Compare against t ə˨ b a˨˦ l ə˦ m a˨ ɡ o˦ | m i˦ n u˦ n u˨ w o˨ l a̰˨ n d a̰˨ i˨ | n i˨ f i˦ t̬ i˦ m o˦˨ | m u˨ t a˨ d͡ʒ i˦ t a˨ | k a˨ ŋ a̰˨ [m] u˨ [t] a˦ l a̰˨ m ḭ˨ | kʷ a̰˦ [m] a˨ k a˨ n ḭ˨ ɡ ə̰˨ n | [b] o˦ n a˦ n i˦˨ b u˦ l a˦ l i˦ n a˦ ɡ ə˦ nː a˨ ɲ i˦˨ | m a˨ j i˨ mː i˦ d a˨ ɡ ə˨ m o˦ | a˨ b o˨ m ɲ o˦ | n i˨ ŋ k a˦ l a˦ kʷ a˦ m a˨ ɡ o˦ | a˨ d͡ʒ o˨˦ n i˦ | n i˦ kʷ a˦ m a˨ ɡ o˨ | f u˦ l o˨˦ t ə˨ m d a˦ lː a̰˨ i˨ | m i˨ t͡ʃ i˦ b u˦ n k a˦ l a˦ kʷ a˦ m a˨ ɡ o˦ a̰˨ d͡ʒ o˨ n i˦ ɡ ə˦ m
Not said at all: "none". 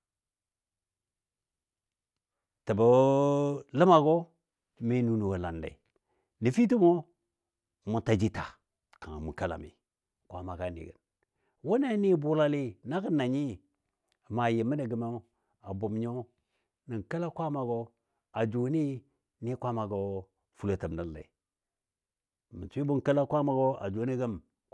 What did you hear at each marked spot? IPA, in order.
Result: m, k, m, w

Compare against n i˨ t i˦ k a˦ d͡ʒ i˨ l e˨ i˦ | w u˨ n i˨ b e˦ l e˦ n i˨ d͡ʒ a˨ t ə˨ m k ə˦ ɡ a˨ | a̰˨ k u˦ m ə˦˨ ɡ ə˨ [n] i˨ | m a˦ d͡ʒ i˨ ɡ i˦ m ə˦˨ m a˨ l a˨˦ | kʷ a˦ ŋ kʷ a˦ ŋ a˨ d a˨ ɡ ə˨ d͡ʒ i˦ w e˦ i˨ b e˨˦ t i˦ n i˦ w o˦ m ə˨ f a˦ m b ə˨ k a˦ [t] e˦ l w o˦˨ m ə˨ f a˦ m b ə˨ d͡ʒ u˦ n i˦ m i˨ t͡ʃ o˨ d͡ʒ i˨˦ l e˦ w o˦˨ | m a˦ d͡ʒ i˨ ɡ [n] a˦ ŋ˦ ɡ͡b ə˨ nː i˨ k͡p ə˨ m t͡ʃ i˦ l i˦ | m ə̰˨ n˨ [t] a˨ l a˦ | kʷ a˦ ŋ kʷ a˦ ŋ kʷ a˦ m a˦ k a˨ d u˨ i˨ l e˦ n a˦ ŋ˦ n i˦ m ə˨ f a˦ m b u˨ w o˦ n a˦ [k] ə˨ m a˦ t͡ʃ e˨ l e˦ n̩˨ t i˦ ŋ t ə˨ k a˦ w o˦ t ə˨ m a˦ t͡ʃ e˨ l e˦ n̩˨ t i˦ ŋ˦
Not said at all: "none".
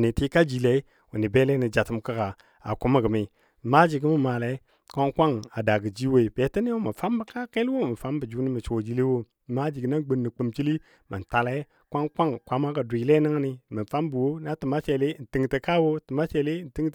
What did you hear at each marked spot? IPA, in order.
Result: m, k, n, t, t

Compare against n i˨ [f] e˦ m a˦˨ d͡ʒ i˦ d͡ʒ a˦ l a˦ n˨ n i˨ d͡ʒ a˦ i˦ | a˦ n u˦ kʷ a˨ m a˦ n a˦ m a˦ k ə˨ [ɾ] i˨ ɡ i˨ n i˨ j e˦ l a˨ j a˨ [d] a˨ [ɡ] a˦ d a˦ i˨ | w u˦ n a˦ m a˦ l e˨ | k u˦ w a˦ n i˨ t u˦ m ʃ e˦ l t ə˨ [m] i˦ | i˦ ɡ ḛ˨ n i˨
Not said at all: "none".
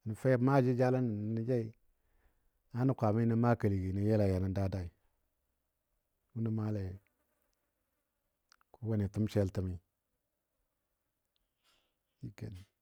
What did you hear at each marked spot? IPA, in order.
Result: f, l, n, d, m

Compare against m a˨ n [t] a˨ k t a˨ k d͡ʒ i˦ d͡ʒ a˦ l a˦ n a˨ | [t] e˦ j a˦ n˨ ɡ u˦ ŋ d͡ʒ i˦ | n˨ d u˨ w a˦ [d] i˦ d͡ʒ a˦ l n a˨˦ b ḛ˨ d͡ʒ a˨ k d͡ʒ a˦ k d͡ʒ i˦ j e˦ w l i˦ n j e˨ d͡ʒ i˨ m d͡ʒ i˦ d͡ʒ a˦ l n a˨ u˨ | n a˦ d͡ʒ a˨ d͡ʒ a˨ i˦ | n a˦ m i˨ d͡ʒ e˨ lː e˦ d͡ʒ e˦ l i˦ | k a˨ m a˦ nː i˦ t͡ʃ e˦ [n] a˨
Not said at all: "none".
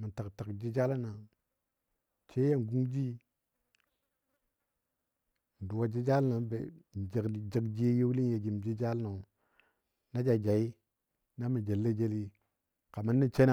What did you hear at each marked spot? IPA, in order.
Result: t, t͡ʃ, d͡ʒ, n

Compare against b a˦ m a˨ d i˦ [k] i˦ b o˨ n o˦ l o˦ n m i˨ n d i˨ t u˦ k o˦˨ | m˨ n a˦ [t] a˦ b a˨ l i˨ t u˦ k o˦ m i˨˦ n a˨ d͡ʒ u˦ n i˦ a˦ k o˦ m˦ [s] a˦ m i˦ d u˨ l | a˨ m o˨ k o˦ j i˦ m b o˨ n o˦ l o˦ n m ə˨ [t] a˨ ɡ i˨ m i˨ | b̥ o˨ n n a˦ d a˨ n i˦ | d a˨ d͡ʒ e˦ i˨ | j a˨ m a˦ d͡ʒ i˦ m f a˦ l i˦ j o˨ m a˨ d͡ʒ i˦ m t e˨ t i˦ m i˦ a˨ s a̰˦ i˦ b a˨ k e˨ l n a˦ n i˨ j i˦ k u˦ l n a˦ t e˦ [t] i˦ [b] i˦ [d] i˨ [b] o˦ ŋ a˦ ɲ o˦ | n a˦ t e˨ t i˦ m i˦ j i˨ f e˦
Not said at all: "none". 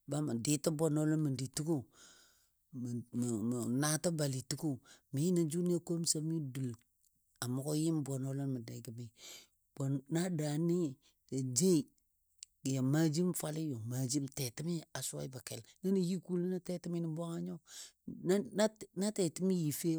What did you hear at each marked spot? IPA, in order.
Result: t, t, s, d, t, m, n, b

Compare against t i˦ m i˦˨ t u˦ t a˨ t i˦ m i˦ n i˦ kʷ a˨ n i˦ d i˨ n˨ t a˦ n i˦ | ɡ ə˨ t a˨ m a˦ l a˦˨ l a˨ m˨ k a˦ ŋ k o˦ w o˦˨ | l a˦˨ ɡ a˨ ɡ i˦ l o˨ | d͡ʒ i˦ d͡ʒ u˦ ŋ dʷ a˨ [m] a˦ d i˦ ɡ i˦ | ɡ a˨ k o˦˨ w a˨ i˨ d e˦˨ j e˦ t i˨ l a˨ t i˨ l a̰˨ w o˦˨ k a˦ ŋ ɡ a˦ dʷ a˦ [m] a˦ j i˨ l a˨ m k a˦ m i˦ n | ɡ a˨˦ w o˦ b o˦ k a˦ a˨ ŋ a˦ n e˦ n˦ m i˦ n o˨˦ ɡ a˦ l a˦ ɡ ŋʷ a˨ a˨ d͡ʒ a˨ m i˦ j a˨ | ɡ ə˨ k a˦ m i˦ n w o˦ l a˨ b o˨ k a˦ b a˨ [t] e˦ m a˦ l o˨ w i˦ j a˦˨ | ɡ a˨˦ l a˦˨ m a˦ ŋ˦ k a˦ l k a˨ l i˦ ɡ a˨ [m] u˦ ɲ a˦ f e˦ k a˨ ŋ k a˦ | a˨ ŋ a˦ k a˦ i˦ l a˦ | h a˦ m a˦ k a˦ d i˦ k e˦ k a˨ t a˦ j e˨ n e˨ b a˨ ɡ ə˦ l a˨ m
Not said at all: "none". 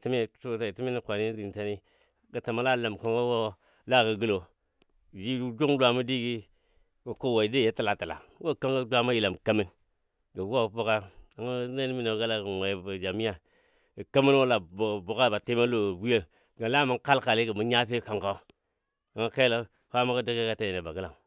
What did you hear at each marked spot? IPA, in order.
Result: m, m, t, m

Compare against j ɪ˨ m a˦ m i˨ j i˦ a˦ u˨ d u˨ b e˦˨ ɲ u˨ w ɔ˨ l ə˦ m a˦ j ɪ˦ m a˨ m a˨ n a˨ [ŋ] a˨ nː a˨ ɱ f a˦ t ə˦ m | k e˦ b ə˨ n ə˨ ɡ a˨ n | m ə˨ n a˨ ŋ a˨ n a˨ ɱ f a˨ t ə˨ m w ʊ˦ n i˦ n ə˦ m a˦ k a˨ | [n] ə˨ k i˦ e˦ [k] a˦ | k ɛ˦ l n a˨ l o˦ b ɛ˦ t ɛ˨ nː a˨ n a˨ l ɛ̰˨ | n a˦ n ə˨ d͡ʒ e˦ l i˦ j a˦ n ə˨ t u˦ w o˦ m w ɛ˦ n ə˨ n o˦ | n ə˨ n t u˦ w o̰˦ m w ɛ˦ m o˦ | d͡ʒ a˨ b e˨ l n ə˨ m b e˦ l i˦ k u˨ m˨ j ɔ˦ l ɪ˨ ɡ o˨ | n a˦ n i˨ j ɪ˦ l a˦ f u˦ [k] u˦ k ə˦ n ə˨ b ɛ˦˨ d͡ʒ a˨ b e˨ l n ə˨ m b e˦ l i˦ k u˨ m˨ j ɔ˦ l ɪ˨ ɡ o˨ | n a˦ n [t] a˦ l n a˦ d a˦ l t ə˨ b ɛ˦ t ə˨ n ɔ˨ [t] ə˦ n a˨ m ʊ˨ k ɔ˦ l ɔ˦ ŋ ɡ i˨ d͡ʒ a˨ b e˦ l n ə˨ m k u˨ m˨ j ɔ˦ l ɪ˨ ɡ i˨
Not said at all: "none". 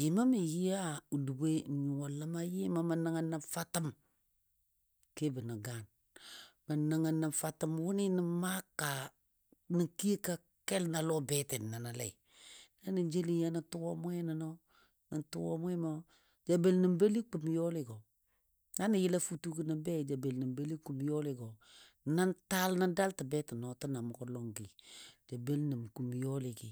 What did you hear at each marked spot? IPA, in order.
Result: ŋ, n, k, t, t, t

